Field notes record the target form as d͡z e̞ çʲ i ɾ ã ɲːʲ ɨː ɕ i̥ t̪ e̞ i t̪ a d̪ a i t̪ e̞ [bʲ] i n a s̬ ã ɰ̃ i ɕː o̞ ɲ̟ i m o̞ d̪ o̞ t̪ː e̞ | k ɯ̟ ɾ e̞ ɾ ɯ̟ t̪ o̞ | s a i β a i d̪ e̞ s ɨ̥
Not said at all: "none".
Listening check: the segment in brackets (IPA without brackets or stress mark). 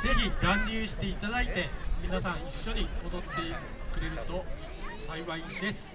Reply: mʲ